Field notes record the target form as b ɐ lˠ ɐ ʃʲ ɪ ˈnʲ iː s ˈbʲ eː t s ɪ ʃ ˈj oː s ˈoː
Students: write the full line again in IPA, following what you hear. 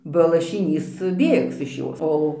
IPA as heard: b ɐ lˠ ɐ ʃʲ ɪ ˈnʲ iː s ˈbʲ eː k s ɪ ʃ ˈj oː s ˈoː